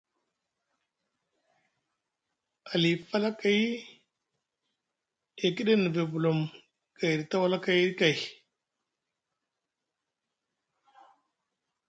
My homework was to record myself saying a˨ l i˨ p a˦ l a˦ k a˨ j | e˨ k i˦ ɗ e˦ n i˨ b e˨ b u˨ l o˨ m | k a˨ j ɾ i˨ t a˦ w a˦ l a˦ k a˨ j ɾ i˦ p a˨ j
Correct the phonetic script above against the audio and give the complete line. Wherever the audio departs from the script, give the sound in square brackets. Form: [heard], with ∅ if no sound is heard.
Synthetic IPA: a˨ l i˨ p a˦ l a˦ k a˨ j | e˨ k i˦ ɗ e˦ n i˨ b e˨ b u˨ l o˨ m | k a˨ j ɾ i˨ t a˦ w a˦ l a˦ k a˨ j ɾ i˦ [k] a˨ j